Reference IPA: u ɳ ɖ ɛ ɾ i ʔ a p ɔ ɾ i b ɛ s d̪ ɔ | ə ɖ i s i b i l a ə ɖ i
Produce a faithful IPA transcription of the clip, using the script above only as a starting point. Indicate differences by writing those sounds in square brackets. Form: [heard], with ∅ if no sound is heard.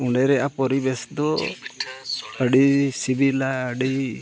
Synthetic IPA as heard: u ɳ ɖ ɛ ɾ [ɛ] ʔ a p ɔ ɾ i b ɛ s d̪ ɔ | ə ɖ i s i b i l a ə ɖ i